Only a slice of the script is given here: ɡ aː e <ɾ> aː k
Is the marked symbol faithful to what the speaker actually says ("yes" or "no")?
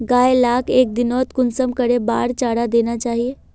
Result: no